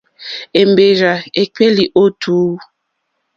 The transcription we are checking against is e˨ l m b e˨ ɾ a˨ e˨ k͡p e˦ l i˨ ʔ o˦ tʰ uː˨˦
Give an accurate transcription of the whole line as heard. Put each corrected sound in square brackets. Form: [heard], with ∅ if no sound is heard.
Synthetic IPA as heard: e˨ [∅] m b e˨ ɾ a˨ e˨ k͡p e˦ l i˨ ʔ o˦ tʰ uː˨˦